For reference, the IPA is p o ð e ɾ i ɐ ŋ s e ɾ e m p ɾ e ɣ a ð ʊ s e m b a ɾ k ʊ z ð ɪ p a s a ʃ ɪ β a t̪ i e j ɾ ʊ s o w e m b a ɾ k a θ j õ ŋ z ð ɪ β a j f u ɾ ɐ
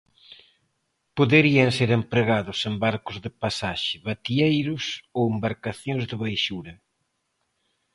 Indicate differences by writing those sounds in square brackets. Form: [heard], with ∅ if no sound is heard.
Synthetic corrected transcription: p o ð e ɾ i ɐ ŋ s e ɾ e m p ɾ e ɣ a ð ʊ s e m b a ɾ k ʊ z ð ɪ p a s a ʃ ɪ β a t̪ i e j ɾ ʊ s o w e m b a ɾ k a θ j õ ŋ z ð ɪ β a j [ʃ] u ɾ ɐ